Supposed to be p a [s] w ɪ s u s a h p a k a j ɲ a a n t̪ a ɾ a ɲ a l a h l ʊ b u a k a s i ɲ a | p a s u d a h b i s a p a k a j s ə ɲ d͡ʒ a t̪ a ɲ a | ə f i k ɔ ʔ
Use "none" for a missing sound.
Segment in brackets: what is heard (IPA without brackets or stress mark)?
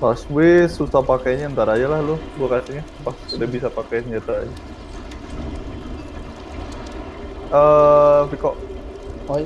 s